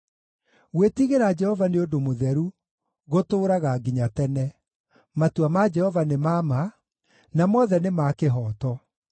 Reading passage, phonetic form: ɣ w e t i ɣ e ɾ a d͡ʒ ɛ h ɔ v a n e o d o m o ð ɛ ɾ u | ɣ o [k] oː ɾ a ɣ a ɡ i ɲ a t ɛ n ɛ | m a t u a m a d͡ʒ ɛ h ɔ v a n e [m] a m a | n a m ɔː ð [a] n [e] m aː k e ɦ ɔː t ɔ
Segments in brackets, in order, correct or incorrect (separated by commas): incorrect, correct, incorrect, correct